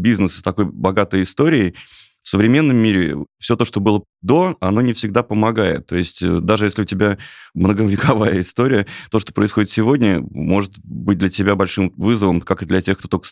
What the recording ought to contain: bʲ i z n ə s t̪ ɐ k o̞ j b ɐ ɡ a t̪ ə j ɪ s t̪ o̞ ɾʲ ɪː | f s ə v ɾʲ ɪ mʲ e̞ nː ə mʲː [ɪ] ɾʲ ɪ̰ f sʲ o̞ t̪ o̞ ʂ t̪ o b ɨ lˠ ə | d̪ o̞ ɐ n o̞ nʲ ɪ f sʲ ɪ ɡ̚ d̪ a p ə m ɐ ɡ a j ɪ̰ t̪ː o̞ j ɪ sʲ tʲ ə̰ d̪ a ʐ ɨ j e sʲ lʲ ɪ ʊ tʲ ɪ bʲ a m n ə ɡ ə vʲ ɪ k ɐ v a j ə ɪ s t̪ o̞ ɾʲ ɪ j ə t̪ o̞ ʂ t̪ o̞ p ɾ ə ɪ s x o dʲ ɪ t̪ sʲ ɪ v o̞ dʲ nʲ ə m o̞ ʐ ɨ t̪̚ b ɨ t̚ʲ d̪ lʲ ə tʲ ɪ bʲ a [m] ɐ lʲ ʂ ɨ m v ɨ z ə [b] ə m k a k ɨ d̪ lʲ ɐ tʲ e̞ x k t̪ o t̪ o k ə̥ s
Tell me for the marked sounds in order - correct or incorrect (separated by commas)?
incorrect, incorrect, incorrect